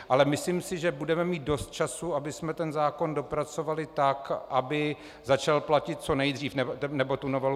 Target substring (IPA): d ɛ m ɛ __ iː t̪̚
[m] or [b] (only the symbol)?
m